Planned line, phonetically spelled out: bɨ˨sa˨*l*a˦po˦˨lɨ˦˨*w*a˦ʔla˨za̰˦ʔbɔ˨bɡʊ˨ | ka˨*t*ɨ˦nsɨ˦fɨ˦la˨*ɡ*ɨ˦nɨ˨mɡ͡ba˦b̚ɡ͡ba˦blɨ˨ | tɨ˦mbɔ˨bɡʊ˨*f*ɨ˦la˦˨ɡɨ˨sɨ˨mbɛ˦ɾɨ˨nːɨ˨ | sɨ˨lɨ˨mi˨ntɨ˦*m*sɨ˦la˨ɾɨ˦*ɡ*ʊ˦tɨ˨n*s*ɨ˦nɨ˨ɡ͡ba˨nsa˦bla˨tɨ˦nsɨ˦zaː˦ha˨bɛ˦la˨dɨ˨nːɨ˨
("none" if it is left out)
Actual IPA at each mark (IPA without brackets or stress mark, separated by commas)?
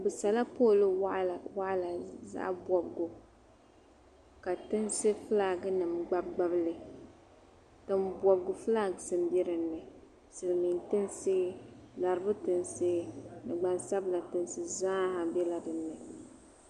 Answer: l, w, t, ɡ, f, n, b, s